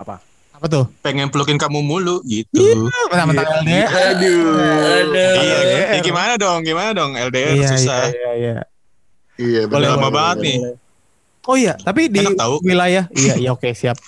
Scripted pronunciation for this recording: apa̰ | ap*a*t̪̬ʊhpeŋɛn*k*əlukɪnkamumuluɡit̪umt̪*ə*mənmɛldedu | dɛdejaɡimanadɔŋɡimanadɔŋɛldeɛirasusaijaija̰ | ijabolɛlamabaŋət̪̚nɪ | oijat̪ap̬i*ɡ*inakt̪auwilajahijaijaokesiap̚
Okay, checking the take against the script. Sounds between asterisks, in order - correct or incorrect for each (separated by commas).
correct, incorrect, incorrect, incorrect